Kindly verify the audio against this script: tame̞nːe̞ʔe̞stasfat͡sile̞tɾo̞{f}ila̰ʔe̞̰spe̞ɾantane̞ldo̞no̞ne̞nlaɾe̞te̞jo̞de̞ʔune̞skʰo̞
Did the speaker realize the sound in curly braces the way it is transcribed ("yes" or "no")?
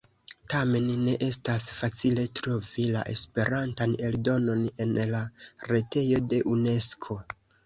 no